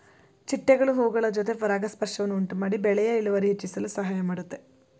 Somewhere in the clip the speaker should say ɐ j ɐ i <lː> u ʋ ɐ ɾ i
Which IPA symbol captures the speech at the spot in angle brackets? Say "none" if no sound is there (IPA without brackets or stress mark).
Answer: l